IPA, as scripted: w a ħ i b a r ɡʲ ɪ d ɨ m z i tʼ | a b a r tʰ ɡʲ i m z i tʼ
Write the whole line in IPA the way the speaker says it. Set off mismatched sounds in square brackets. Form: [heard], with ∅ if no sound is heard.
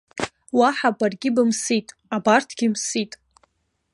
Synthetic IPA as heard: w a ħ [a] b a r ɡʲ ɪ [b] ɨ m [s] i tʼ | a b a r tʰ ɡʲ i m [s] i tʼ